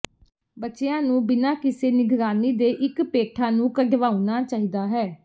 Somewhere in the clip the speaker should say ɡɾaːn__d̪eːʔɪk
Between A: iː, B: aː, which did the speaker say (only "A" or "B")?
A